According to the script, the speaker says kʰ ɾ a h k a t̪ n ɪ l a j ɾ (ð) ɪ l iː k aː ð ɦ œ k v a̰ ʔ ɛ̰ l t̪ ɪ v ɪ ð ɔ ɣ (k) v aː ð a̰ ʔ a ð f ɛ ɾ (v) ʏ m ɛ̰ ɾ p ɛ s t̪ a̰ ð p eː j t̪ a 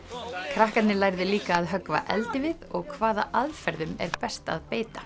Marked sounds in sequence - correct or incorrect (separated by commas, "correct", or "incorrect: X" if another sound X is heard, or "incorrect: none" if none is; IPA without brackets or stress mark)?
correct, incorrect: kʰ, incorrect: ð